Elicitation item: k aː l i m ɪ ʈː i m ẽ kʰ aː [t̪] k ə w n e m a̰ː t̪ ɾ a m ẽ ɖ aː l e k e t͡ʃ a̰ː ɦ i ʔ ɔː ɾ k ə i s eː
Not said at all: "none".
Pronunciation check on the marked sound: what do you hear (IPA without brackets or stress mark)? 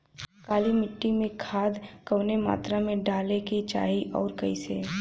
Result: d̪